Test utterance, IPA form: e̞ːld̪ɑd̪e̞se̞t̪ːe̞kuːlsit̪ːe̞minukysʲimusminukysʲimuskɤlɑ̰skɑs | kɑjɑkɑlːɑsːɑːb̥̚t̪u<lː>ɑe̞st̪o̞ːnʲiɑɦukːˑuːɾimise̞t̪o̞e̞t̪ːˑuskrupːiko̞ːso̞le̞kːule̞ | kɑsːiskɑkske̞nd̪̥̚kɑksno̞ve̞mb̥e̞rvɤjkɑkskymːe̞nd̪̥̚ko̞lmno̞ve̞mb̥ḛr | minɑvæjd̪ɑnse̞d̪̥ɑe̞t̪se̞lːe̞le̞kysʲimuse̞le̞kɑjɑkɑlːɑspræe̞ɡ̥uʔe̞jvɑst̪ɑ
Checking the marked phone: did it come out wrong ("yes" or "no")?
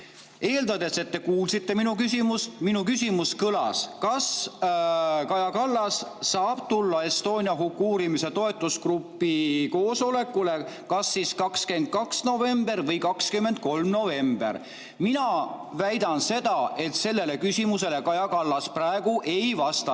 no